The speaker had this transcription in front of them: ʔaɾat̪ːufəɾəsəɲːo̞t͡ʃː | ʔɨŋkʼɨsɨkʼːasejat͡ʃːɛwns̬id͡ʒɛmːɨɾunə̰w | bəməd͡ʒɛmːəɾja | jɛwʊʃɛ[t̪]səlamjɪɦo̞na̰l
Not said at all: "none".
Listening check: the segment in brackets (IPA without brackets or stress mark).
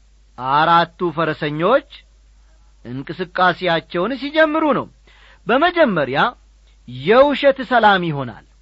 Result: t̪